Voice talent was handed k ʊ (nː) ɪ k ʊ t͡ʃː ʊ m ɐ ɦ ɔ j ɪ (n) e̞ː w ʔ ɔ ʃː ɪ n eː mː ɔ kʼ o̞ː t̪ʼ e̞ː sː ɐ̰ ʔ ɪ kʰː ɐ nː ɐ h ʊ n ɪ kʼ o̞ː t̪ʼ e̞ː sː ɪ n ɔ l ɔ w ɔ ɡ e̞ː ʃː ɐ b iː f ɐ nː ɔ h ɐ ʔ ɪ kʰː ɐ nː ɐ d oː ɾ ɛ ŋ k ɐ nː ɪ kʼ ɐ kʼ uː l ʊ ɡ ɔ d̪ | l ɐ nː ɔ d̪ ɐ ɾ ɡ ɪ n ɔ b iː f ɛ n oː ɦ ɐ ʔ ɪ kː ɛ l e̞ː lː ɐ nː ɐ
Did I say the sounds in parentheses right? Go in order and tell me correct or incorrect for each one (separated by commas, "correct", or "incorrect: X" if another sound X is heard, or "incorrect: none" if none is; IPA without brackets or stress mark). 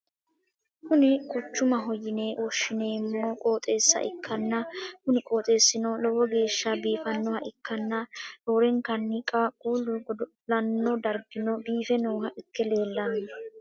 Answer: incorrect: n, correct